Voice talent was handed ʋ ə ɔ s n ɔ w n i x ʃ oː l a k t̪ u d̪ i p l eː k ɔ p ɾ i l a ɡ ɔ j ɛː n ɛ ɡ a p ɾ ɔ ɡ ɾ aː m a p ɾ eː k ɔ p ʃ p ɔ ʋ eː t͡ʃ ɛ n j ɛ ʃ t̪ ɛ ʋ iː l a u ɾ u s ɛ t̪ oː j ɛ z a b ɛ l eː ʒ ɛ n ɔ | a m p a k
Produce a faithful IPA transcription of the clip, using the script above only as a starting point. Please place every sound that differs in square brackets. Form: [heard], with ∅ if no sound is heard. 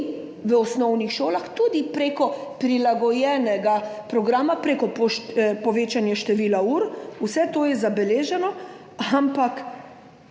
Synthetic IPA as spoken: ʋ ə ɔ s n ɔ w n i x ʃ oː l a [x] t̪ u d̪ i p [ɾ] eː k ɔ p ɾ i l a ɡ ɔ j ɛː n ɛ ɡ a p ɾ ɔ ɡ ɾ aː m a p ɾ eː k ɔ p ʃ p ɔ ʋ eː t͡ʃ [a] n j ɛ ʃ t̪ ɛ ʋ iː l a u ɾ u s ɛ t̪ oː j ɛ z a b ɛ l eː ʒ ɛ n ɔ | a m p a k